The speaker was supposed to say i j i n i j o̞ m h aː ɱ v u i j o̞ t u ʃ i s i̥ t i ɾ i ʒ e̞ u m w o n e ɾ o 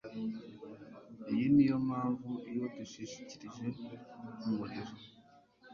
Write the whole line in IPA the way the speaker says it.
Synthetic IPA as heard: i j i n i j o̞ m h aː ɱ v u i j o̞ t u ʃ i ʃ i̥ c i ɾ i ʒ e̞ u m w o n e ɾ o